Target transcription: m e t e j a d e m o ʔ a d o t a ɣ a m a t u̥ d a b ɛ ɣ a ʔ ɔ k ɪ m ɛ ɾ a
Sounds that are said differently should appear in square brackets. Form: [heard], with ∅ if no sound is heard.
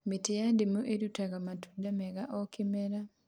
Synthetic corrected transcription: m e t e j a d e m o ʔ [e] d [u] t a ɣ a m a t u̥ d a [m] ɛ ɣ a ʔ ɔ k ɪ m ɛ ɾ a